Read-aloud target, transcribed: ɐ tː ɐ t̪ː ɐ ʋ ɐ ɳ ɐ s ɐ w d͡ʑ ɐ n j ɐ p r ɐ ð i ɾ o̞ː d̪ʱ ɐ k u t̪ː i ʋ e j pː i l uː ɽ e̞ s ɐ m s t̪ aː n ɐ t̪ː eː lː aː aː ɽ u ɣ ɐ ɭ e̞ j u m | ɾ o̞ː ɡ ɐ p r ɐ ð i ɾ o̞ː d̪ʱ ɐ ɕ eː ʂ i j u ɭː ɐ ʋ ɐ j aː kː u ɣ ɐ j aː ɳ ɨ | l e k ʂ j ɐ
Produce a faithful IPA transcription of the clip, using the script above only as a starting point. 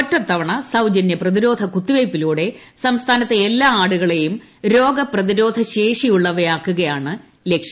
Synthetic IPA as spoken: ɐ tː ɐ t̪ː ɐ ʋ ɐ ɳ ɐ s ɐ w d͡ʑ ɐ n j ɐ p r ɐ ð i ɾ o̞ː d̪ʱ ɐ k u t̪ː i ʋ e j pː i l uː ɽ e̞ s ɐ m s t̪ʰ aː n ɐ t̪ː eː lː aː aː ɽ u ɣ ɐ ɭ e̞ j u m | ɾ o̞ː ɡ ɐ p r ɐ ð i ɾ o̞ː d̪ʱ ɐ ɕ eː ʂ i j u ɭː ɐ ʋ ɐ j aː kː u ɣ ɐ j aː ɳ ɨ | l e k ʂ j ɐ